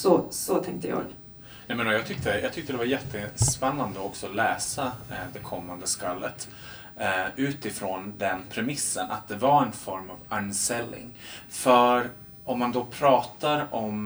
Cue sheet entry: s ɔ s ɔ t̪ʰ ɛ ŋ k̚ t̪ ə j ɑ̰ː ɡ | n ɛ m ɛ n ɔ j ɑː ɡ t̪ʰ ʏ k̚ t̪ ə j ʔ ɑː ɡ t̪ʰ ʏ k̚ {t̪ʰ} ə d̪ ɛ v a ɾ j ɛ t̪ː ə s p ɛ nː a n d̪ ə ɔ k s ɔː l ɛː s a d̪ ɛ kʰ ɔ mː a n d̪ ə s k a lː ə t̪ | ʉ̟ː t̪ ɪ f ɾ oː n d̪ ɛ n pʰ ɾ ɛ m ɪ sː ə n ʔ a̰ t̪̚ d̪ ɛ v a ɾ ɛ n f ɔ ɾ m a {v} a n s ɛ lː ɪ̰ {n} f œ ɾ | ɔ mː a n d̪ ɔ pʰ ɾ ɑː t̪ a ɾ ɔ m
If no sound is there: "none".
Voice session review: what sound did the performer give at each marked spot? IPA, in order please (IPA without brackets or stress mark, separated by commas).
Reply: t̪, v, ŋ